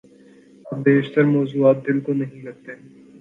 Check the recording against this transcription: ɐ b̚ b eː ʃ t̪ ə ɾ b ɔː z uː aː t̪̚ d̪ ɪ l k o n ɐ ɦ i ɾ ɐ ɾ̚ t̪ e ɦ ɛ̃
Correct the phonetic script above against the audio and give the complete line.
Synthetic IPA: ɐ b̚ b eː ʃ t̪ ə ɾ m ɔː z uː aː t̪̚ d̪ ɪ l k o n ɐ ɦ ĩ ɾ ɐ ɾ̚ t̪ e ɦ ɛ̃

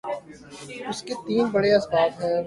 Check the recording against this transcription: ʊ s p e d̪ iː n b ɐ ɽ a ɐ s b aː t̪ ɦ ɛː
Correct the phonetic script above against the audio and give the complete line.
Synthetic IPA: ʊ s k e t̪ iː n b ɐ ɽ e ɐ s b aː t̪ ɦ ɛː

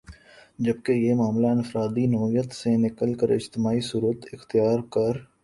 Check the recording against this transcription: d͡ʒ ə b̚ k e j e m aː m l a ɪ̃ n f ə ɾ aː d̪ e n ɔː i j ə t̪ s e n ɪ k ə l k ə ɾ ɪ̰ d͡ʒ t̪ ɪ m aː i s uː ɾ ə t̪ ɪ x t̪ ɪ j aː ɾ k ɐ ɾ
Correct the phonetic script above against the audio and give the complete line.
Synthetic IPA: d͡ʒ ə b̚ k e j e m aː m l a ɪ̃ n f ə ɾ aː d̪ i n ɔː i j ə t̪ s e n ɪ k ə l k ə ɾ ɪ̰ d͡ʒ t̪ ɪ m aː i s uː ɾ ə t̪ ɪ x t̪ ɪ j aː ɾ k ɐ ɾ

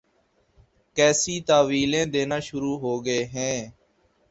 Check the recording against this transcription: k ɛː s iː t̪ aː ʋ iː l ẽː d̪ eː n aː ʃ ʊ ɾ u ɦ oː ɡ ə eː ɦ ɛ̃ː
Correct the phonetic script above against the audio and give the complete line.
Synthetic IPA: k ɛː s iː t̪ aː ʋ iː l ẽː d̪ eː n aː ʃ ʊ ɾ uː ɦ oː ɡ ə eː ɦ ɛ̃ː

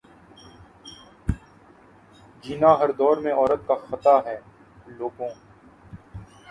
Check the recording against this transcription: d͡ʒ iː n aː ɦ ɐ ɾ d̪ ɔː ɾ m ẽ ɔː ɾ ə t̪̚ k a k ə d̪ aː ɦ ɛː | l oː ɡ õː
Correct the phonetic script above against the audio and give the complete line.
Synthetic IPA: d͡ʒ iː n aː ɦ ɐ ɾ d̪ ɔː ɾ m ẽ ɔː ɾ ə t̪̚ k a x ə t̪ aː ɦ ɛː | l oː ɡ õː

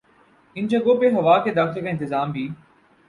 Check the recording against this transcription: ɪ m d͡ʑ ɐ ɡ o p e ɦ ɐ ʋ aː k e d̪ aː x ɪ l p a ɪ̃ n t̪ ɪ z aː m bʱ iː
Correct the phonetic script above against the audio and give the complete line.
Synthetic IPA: ɪ n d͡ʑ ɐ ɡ o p e ɦ ɐ ʋ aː k e d̪ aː x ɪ l k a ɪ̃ n t̪ ɪ z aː m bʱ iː

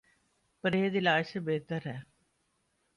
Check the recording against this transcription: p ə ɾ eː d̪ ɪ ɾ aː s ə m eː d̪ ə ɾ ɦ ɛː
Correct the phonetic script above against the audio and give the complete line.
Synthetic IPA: p ə ɾ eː d̪ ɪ l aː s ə b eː t̪ ə ɾ ɦ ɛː

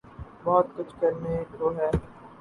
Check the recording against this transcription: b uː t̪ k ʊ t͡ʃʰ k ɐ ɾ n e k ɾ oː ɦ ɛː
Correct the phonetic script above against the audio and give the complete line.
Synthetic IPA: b ɔː t̪ k ʊ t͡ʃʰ k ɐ ɾ n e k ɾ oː ɦ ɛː

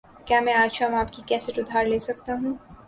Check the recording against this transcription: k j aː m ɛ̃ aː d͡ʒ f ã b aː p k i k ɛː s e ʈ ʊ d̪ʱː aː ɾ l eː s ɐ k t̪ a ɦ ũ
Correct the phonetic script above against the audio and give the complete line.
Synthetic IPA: k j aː m ɛ̃ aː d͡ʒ ʃ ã m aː p k i k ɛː s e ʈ ʊ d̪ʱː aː ɾ l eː s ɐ k t̪ a ɦ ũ

